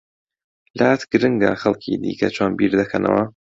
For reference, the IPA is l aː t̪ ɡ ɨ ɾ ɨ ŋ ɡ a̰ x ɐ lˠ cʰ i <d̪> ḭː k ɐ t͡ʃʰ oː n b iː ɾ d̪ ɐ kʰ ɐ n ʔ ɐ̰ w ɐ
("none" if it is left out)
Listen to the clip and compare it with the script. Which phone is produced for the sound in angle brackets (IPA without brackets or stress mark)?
d̪